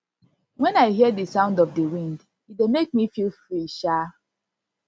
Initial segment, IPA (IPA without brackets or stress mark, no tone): w